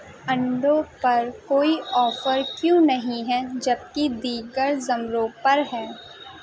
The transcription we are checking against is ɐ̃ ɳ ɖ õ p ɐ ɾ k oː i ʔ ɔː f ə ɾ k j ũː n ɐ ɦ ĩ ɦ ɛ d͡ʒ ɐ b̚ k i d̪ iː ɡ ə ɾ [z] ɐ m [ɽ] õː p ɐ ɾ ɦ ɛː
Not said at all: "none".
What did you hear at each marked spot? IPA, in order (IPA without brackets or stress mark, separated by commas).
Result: z, ɾ